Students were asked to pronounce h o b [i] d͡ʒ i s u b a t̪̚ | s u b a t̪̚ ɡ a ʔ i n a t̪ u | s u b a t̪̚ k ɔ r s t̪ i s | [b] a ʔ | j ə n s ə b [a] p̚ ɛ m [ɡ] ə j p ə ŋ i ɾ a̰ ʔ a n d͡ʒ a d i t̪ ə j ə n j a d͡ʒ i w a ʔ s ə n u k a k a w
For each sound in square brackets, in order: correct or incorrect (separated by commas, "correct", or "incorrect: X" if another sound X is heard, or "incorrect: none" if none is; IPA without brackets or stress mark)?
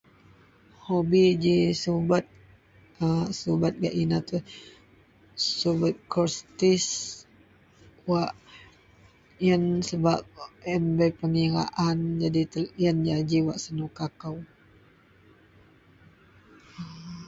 correct, incorrect: w, correct, incorrect: b